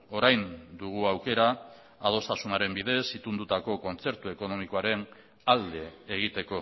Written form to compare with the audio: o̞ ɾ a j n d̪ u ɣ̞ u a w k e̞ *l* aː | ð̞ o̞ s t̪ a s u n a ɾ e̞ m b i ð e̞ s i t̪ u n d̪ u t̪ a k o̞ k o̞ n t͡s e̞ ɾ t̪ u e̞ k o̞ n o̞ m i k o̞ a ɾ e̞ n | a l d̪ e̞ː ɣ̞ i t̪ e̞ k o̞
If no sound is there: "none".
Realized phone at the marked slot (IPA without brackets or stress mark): ɾ